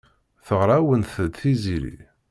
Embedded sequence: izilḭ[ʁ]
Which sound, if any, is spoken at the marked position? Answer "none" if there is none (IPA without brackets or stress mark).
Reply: none